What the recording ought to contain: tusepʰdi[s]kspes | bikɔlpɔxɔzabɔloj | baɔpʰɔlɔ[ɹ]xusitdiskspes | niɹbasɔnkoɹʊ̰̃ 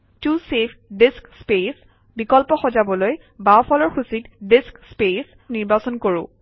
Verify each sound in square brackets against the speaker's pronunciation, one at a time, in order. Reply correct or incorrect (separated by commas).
correct, correct